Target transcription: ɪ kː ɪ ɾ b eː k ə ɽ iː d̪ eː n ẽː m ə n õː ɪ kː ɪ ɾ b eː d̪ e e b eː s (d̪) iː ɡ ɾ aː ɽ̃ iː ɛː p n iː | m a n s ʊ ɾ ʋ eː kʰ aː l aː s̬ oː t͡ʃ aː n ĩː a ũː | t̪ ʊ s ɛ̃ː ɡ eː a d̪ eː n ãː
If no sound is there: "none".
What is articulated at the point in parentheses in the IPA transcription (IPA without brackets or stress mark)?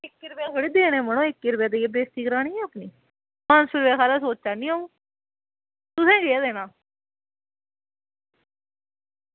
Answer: t̪